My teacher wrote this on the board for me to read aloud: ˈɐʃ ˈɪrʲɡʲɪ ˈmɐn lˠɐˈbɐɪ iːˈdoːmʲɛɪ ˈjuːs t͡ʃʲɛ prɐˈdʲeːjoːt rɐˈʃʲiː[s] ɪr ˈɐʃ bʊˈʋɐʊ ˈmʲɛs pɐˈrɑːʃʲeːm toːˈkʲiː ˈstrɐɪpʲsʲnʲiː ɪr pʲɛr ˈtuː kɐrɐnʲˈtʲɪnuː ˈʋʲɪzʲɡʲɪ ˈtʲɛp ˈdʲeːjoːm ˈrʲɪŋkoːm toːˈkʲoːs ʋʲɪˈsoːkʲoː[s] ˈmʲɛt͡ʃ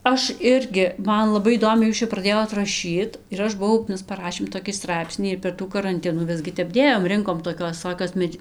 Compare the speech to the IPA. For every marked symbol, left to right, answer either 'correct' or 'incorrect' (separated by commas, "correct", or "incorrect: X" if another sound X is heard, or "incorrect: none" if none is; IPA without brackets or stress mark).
incorrect: t, correct